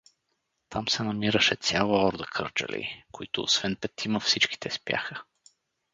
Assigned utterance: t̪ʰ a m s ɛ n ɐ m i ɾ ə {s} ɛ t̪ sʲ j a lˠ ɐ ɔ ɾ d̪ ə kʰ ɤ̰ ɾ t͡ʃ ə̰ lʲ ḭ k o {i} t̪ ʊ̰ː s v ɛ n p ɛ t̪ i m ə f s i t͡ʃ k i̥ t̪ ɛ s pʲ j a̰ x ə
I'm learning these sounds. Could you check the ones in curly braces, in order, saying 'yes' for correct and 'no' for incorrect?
no, yes

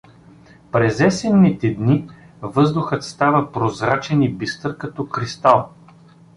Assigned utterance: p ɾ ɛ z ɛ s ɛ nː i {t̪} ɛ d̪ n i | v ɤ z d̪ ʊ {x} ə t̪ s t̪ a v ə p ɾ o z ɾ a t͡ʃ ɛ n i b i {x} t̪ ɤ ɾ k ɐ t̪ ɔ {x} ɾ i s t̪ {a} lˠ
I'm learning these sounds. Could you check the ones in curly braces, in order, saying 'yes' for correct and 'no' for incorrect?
yes, yes, no, no, yes

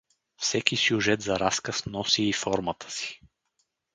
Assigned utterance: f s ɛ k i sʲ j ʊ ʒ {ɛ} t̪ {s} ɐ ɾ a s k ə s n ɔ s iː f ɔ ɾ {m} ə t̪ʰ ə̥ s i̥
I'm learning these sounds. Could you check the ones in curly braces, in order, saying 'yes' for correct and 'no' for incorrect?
yes, no, yes

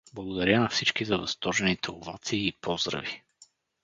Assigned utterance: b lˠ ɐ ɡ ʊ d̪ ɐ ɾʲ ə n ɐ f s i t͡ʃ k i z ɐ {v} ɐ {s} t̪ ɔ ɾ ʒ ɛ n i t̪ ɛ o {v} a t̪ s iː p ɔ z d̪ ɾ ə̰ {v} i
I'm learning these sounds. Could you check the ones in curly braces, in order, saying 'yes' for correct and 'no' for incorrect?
yes, yes, yes, yes

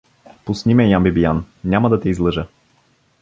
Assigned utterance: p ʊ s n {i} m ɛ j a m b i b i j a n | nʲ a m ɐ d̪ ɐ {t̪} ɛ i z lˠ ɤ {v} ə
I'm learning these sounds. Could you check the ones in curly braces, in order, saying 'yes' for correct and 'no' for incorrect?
yes, yes, no

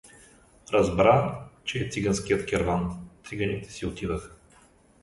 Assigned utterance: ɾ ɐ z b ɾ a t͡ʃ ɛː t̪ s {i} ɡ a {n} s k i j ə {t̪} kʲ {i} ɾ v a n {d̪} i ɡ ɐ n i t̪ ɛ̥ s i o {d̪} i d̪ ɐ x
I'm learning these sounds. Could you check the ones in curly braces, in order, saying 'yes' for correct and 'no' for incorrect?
yes, yes, yes, no, no, no

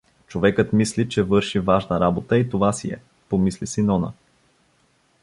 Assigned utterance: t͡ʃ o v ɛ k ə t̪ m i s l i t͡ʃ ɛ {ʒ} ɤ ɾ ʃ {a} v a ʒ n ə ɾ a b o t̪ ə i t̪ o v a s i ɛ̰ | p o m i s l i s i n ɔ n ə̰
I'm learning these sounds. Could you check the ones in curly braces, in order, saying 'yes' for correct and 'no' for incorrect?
no, no

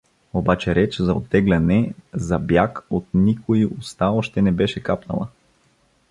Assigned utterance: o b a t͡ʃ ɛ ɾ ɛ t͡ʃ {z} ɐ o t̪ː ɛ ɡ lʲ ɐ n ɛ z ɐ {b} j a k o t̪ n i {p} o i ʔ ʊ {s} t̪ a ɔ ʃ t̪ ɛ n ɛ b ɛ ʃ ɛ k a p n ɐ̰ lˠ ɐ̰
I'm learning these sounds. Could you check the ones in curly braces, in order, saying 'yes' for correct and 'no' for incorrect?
yes, yes, no, yes

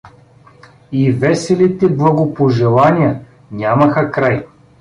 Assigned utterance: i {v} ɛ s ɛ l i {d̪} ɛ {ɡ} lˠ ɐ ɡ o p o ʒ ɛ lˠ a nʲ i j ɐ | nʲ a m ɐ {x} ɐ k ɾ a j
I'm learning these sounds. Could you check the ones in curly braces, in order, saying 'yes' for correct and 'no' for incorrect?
yes, no, no, yes

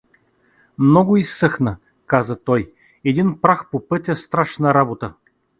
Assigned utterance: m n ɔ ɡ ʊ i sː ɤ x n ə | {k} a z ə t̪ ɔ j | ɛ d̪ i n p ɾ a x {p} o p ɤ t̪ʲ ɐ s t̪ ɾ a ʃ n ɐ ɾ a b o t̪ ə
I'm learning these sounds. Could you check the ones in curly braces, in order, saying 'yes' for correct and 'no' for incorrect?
yes, yes

